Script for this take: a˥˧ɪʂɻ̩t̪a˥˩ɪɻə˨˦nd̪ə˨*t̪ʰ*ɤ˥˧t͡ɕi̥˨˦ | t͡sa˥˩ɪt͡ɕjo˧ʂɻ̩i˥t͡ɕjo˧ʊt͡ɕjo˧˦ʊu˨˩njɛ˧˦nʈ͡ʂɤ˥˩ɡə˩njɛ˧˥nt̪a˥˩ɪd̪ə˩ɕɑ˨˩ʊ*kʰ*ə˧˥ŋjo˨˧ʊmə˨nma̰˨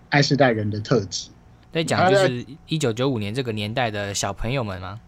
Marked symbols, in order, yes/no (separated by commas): yes, no